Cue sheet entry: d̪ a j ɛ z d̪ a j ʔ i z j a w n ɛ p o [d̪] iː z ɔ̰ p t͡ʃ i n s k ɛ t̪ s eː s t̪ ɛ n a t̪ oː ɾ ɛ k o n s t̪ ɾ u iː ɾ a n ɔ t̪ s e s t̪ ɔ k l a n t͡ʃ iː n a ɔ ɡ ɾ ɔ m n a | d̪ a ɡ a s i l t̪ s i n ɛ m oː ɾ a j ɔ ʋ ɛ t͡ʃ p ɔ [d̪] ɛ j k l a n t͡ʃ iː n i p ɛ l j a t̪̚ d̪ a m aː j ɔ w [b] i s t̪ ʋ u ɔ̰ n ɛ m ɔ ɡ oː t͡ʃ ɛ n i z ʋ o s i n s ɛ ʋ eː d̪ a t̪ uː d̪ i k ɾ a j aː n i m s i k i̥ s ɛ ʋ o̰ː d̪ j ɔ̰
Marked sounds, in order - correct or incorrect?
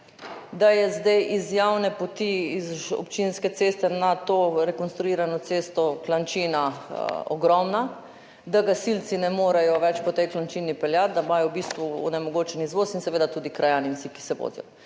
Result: incorrect: t̪, incorrect: t̪, correct

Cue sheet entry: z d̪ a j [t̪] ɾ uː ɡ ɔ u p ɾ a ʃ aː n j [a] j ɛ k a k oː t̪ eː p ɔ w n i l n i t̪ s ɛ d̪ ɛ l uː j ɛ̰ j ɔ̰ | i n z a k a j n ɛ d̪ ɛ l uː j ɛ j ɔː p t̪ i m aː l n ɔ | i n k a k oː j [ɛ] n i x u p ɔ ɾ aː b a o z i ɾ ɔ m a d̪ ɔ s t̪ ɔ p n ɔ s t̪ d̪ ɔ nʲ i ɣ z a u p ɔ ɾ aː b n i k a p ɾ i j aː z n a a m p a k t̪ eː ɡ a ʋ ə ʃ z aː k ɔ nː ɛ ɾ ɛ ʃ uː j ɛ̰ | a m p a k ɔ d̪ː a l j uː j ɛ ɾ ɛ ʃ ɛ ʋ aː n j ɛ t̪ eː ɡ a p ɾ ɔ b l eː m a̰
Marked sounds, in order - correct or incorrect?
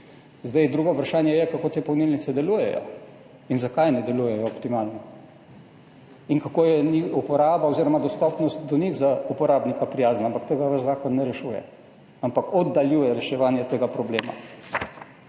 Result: incorrect: d̪, incorrect: ɛ, correct

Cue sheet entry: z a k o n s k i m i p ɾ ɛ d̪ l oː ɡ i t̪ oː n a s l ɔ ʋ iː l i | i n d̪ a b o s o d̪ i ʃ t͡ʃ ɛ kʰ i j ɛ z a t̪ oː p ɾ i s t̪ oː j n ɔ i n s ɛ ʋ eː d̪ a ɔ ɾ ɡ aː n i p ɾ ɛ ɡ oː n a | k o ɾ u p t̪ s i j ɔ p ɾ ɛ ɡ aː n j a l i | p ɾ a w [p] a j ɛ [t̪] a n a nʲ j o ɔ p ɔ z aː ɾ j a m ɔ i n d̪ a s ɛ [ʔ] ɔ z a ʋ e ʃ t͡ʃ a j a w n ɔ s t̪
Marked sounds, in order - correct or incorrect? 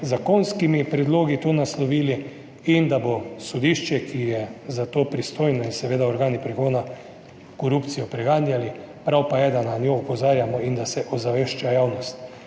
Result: correct, incorrect: d̪, correct

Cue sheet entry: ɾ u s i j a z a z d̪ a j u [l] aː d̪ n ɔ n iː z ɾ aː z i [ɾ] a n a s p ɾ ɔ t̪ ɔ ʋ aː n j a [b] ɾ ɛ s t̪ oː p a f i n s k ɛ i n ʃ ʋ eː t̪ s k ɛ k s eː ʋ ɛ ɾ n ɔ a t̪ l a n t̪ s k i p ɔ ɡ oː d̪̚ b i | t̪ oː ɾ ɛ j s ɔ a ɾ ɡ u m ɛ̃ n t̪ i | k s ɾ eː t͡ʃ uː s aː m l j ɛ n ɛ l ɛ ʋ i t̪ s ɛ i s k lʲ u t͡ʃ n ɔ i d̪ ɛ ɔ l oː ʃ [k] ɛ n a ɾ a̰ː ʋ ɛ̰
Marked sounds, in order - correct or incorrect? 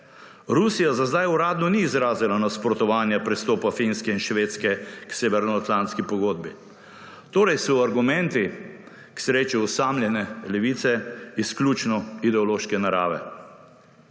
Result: incorrect: ɾ, incorrect: l, incorrect: p, correct

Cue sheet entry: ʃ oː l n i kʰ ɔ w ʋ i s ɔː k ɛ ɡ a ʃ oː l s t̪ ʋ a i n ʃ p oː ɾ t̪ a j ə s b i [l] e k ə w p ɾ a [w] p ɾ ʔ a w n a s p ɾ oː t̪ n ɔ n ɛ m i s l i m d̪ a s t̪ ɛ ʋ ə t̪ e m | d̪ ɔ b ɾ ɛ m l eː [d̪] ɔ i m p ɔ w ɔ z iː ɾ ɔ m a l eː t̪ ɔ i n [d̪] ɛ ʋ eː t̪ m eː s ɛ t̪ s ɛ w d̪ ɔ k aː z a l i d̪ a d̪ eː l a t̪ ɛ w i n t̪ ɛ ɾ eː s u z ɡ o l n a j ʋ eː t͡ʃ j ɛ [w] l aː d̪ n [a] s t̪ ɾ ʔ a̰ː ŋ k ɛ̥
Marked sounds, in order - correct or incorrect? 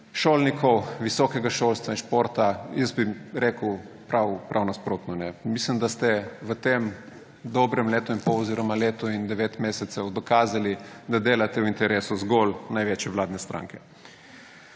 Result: incorrect: ɾ, correct, incorrect: t̪, correct, incorrect: ʋ, incorrect: ɛ

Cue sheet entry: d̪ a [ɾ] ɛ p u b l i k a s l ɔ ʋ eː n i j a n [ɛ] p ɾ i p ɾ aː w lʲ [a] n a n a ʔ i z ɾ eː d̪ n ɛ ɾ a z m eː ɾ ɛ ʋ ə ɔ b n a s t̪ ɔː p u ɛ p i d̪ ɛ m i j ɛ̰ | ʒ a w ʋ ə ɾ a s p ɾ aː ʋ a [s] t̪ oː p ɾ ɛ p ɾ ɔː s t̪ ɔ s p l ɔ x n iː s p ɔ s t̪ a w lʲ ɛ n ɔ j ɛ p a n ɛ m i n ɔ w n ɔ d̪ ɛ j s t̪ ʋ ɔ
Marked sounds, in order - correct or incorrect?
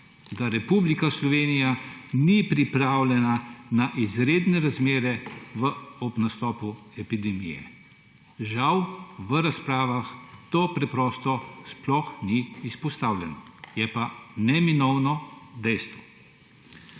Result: correct, incorrect: i, incorrect: ɛ, incorrect: x

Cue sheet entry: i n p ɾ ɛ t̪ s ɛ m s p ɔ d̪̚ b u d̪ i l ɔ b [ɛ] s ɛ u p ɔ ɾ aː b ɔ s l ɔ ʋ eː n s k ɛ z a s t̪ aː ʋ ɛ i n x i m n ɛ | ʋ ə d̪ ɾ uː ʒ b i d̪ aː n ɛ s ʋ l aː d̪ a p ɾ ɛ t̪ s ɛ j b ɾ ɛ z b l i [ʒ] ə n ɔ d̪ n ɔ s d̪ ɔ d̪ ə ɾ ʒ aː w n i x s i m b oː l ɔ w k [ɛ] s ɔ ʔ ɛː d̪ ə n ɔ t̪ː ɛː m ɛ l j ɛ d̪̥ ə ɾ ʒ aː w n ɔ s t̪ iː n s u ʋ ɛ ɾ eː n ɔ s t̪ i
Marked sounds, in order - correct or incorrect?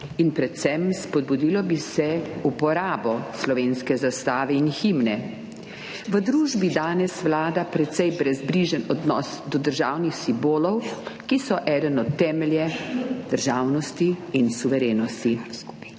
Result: incorrect: i, correct, incorrect: i

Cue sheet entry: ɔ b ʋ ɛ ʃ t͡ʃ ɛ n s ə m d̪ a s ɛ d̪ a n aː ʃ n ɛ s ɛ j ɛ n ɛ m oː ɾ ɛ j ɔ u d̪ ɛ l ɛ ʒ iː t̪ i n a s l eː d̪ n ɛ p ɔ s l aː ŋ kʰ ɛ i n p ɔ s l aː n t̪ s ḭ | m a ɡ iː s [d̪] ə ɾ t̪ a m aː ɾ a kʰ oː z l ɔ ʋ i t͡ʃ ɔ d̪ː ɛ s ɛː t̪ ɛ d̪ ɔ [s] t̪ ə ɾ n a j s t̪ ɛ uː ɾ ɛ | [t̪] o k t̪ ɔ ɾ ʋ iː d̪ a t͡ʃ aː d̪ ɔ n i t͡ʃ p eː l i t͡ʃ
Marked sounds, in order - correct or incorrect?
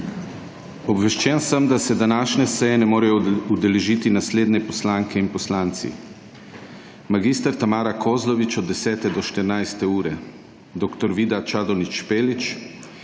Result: incorrect: t̪, incorrect: ʃ, incorrect: d̪

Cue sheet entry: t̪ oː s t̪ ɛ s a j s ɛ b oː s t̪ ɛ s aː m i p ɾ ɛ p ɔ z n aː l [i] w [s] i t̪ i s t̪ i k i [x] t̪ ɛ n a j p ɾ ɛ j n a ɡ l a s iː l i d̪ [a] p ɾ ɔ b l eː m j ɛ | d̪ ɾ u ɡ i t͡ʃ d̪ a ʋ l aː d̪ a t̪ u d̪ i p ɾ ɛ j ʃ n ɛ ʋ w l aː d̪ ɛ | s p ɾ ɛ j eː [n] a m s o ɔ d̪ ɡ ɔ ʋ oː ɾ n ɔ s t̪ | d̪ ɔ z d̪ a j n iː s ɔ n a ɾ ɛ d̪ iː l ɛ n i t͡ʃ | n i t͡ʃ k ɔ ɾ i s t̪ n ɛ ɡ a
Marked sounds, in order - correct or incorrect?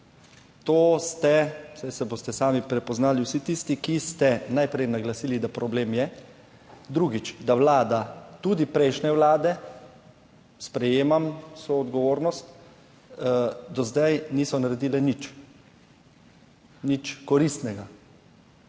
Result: correct, correct, incorrect: s, correct, incorrect: m

